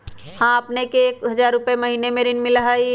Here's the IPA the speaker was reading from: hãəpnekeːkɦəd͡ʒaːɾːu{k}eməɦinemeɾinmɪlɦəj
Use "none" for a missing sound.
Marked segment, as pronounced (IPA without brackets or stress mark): p